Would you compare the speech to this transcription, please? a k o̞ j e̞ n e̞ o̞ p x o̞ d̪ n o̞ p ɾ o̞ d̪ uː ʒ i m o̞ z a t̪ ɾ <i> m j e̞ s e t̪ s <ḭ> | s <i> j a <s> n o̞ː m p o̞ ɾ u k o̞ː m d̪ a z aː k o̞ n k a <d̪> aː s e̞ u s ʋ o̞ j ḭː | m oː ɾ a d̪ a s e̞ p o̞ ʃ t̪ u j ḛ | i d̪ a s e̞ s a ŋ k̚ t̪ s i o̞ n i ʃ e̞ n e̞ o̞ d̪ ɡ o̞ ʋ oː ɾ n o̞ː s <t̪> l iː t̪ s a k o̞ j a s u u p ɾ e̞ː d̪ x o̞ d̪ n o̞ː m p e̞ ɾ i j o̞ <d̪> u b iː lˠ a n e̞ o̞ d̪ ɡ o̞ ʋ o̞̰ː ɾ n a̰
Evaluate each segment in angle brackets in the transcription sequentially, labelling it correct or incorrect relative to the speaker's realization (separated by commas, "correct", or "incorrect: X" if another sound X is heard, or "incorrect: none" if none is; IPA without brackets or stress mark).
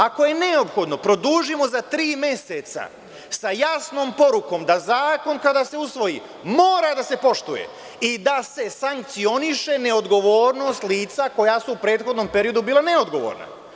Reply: incorrect: iː, incorrect: a̰, incorrect: a, correct, correct, correct, correct